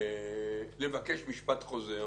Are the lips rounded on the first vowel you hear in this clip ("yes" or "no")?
no